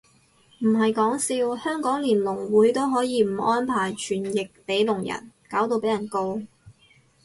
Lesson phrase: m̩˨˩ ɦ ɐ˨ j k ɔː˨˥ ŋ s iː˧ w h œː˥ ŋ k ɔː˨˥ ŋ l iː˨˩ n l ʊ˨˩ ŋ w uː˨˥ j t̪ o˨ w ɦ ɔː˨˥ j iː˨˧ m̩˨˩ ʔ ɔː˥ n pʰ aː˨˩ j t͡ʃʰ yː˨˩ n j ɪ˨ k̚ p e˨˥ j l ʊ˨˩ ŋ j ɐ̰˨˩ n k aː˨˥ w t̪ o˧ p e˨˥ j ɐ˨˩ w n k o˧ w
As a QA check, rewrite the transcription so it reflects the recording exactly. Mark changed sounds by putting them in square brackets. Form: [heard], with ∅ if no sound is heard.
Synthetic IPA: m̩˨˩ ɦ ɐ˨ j k ɔː˨˥ ŋ s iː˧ w h œː˥ ŋ k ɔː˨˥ ŋ l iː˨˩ n l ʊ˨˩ ŋ w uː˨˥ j t̪ [o˥] w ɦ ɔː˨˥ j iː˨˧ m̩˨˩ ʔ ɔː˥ n pʰ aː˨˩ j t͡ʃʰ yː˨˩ n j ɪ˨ k̚ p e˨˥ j l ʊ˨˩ ŋ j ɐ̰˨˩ n k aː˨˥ w t̪ o˧ p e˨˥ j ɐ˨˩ [∅] n k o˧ w

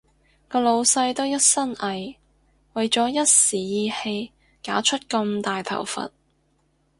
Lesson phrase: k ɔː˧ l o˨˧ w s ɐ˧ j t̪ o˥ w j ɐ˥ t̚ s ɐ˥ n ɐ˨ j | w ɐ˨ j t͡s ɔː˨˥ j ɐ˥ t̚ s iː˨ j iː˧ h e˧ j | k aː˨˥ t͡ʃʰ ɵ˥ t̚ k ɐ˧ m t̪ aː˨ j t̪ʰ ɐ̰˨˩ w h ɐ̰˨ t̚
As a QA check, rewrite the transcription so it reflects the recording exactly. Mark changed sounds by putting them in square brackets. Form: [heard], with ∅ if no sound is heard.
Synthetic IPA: k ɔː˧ l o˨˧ w s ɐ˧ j t̪ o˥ w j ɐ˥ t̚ s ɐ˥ n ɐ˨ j | w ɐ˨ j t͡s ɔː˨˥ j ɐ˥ t̚ s iː˨ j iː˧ h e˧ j | k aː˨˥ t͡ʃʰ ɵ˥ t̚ k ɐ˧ m t̪ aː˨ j t̪ʰ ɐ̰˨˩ w [f] ɐ̰˨ t̚

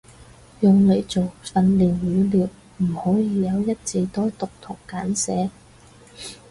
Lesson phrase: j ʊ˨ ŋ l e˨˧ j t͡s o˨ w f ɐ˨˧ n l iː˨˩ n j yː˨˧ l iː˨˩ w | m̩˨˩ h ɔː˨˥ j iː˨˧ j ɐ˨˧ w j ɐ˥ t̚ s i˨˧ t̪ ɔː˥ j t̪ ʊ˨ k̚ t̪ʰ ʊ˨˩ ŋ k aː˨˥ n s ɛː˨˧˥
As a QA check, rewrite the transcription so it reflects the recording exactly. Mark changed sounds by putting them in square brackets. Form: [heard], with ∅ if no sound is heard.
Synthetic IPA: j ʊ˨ ŋ l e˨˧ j t͡s o˨ w f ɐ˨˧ n l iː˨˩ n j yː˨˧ l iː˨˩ w | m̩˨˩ h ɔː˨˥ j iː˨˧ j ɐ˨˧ w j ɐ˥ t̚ [t͡s] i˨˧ t̪ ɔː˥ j t̪ ʊ˨ k̚ t̪ʰ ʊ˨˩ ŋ k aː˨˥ n s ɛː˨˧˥

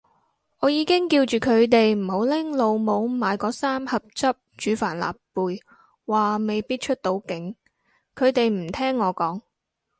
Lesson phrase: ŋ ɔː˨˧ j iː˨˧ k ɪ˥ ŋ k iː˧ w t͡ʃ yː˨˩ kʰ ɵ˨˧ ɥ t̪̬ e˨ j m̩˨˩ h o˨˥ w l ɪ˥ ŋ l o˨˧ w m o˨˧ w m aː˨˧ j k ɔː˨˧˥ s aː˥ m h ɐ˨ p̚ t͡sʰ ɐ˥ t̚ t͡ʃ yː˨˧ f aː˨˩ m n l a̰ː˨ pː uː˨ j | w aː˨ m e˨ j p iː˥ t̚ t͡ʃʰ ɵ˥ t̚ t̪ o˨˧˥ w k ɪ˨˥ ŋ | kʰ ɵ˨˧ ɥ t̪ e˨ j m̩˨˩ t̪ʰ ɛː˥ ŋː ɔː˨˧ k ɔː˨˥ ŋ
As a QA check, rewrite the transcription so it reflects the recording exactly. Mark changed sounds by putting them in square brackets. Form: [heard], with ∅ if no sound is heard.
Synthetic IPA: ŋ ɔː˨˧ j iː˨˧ k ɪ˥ ŋ k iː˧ w t͡ʃ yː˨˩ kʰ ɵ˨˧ ɥ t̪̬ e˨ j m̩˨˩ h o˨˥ w l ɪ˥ ŋ l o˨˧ w m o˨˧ w m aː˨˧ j k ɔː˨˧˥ s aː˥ m h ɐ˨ p̚ [t͡s] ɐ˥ [p̚] t͡ʃ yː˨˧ f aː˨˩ [∅] n l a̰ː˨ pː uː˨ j | w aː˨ m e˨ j p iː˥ t̚ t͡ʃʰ ɵ˥ t̚ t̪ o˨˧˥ w k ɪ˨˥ ŋ | kʰ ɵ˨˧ ɥ t̪ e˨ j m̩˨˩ t̪ʰ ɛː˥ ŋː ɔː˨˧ k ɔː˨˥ ŋ

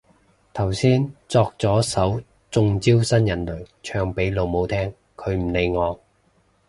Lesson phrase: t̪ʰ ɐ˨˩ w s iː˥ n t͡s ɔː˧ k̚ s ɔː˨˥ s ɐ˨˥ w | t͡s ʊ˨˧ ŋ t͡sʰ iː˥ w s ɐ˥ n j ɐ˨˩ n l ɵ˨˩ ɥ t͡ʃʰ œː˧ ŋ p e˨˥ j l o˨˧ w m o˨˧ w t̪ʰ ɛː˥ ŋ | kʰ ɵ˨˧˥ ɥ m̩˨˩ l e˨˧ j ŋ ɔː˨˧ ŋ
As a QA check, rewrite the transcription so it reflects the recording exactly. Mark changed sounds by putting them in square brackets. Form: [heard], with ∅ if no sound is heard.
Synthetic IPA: t̪ʰ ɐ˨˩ w s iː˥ n t͡s ɔː˧ k̚ [t͡s] ɔː˨˥ s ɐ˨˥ w | t͡s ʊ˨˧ ŋ [t͡s] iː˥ w s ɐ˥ n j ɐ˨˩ n l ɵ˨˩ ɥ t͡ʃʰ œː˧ ŋ p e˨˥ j l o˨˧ w m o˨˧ w t̪ʰ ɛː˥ ŋ | kʰ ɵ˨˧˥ ɥ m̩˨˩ l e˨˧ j ŋ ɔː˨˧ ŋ

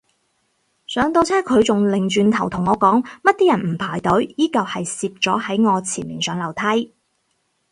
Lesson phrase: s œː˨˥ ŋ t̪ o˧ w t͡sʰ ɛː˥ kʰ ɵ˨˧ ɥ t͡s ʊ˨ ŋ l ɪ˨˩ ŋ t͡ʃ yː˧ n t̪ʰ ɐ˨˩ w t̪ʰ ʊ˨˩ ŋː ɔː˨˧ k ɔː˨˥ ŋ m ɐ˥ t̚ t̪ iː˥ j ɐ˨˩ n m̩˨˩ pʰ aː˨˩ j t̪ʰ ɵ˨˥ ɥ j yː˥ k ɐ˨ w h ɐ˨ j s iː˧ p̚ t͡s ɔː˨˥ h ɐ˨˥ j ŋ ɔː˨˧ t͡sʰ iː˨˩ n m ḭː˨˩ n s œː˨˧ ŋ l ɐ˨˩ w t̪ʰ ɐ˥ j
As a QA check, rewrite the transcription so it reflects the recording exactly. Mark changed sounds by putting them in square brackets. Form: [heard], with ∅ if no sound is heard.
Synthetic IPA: s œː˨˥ ŋ t̪ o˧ w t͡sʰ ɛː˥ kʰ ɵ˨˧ ɥ t͡s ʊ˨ ŋ l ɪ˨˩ ŋ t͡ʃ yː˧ n t̪ʰ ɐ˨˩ w t̪ʰ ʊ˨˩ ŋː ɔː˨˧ k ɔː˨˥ ŋ m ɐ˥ t̚ t̪ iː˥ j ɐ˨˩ n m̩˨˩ pʰ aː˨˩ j [t̪] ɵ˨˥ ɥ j [iː˥] k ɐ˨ w h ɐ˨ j s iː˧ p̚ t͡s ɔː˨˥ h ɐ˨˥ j ŋ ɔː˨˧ t͡sʰ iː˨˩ n m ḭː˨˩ n s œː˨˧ ŋ l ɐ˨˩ w t̪ʰ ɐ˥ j

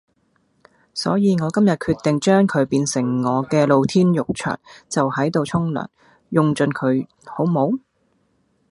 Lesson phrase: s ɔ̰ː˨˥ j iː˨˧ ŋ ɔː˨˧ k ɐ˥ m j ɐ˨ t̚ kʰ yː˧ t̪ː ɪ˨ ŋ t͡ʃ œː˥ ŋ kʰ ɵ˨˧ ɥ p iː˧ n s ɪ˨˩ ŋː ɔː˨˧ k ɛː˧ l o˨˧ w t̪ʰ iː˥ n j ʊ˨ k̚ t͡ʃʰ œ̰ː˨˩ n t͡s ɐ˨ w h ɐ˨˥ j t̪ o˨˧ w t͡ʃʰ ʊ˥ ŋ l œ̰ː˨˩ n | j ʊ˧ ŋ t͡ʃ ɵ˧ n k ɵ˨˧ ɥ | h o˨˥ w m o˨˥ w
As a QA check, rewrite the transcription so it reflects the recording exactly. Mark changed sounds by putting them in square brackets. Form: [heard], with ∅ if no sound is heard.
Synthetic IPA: s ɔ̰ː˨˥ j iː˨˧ ŋ ɔː˨˧ k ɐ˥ m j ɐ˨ t̚ kʰ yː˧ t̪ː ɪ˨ ŋ t͡ʃ œː˥ ŋ kʰ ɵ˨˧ ɥ p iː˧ n s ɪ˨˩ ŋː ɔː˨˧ k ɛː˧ l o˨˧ w t̪ʰ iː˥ n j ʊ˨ k̚ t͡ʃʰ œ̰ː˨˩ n t͡s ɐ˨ w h ɐ˨˥ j t̪ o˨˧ w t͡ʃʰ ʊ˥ ŋ l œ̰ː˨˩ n | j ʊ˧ ŋ t͡ʃ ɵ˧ n [kʰ] ɵ˨˧ ɥ | h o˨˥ w m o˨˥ w

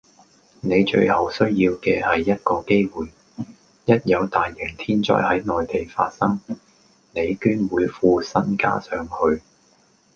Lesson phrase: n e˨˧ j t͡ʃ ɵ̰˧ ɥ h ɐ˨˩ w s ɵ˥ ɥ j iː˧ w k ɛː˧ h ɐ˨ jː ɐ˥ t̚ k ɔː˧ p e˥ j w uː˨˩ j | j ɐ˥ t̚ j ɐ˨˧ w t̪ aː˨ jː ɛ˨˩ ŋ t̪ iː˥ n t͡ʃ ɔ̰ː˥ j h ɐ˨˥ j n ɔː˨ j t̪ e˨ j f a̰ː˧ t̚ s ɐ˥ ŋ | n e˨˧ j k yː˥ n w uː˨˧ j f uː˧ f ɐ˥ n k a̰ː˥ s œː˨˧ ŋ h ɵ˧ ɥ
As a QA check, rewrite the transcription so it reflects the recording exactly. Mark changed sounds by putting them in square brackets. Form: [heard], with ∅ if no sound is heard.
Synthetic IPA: n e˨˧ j t͡ʃ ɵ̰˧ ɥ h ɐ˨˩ w s ɵ˥ ɥ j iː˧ w k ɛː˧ h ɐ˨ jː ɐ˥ t̚ k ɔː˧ [k] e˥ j w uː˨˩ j | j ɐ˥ t̚ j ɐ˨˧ w t̪ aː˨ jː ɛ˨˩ ŋ [t̪ʰ] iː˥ n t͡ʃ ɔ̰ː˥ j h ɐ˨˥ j n ɔː˨ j t̪ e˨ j f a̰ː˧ t̚ s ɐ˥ ŋ | n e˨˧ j k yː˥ n w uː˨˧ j f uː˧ [s] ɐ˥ n k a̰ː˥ s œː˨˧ ŋ h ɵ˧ ɥ

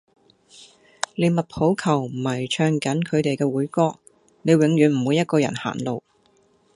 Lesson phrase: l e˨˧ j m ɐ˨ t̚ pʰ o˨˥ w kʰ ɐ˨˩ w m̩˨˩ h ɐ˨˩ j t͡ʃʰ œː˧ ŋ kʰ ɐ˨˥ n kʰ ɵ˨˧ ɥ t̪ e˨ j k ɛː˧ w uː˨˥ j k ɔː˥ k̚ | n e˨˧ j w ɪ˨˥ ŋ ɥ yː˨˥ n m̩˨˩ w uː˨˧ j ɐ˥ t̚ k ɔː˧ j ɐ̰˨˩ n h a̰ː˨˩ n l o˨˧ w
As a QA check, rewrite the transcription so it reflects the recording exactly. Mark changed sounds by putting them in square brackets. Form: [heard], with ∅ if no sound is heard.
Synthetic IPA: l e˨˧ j m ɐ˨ t̚ pʰ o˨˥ w kʰ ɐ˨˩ w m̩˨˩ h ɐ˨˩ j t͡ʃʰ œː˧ ŋ [k] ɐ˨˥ n kʰ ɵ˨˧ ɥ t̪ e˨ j k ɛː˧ w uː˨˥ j k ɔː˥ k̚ | n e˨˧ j w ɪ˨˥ ŋ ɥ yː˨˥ n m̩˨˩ w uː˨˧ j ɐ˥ t̚ k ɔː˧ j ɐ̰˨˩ n h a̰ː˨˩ n l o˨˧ w

